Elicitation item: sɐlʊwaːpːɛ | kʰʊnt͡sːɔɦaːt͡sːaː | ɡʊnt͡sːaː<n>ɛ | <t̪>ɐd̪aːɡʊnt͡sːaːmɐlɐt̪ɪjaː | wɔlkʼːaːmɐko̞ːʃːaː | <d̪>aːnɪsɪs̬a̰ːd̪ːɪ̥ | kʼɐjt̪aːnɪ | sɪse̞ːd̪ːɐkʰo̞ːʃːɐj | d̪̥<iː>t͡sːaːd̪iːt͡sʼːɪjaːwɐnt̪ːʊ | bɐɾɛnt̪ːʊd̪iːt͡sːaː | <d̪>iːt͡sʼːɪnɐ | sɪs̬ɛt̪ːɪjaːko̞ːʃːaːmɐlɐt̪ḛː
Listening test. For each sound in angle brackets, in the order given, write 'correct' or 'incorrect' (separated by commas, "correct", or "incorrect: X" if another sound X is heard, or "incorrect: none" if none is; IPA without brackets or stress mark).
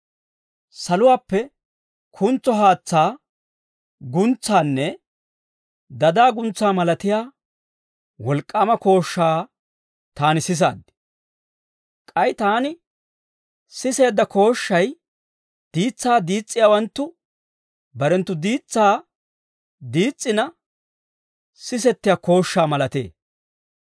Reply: incorrect: nː, incorrect: d̪, incorrect: t̪, correct, correct